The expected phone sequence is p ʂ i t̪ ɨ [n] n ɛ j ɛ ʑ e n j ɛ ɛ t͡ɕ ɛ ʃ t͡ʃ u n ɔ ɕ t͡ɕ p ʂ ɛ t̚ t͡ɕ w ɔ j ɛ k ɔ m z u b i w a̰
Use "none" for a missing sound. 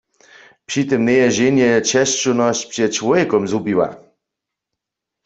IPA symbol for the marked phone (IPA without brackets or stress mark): m